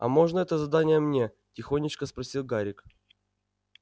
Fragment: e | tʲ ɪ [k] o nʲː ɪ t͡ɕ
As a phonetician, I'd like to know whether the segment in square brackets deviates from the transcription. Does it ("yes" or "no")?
yes